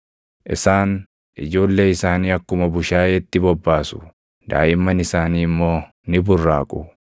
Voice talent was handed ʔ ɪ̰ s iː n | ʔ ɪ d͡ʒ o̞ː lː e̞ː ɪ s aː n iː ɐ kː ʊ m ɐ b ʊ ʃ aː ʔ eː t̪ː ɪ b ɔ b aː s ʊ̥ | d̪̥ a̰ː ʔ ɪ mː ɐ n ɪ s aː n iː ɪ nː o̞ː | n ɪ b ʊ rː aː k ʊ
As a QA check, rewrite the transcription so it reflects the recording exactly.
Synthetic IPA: ʔ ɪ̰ s aː n | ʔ ɪ d͡ʒ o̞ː lː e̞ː ɪ s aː n iː ɐ kː ʊ m ɐ b ʊ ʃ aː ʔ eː t̪ː ɪ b ɔ bː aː s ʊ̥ | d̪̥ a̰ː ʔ ɪ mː ɐ n ɪ s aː n iː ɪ mː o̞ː | n ɪ b ʊ rː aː kʼ ʊ